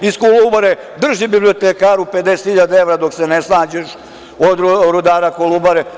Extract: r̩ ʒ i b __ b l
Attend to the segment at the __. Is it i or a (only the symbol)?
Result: i